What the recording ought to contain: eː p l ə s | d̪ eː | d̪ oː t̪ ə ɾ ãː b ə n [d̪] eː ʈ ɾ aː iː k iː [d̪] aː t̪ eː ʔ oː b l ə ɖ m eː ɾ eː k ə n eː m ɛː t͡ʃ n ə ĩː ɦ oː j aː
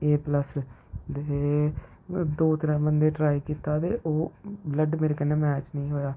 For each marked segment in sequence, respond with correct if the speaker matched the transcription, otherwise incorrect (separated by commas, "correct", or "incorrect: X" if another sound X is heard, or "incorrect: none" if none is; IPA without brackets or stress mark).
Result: correct, incorrect: t̪